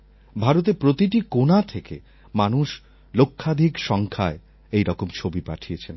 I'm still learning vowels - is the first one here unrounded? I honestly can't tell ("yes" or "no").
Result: yes